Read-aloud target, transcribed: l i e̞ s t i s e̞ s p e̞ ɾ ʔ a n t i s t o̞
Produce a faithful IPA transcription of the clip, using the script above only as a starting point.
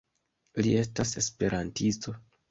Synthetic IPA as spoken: l i e̞ s t a s e̞ s p e̞ ɾ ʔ a n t i s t o̞